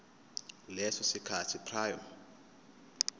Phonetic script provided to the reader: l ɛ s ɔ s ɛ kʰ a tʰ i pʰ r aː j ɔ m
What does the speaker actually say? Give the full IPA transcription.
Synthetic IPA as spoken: l ɛ s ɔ s i kʰ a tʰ i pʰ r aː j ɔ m